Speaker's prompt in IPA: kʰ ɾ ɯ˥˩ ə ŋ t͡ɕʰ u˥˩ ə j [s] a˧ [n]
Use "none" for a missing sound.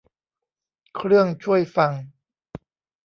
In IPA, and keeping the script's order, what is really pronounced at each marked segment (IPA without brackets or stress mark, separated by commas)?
f, ŋ